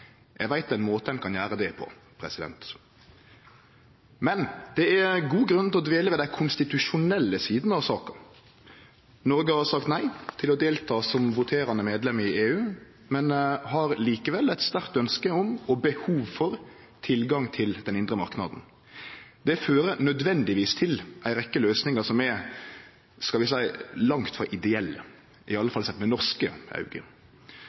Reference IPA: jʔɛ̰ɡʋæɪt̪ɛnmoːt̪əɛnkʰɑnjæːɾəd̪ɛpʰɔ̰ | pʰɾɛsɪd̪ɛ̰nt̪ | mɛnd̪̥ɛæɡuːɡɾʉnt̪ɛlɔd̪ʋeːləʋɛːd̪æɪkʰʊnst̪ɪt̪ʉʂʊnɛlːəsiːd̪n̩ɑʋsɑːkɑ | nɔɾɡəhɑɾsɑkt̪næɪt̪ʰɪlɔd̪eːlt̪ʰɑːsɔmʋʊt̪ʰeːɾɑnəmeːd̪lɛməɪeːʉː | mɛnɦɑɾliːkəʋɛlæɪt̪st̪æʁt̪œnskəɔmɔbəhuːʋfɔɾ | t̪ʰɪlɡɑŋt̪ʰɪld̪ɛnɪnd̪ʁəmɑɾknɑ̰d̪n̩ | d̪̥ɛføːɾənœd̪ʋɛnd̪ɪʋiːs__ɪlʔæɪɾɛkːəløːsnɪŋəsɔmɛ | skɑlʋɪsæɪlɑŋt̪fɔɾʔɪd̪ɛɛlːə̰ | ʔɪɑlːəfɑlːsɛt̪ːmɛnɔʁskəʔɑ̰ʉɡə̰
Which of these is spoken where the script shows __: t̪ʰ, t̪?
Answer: t̪ʰ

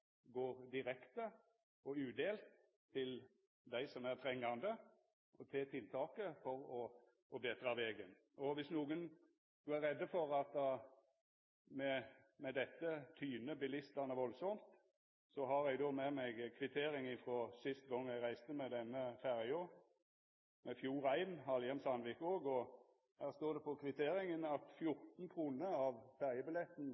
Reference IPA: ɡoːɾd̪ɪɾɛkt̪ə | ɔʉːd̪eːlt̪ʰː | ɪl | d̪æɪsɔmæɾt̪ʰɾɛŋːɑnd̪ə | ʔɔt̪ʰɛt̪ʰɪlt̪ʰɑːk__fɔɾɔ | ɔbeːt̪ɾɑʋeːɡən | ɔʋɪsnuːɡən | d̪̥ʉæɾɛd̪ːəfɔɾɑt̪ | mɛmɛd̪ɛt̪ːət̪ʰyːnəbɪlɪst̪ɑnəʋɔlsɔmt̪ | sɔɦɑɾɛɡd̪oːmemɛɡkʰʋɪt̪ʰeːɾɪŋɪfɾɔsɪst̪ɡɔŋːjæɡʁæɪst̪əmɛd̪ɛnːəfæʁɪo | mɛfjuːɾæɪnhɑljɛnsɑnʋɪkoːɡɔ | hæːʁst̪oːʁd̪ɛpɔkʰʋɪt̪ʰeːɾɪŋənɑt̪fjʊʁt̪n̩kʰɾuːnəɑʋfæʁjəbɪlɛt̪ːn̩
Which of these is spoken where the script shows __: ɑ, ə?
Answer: ə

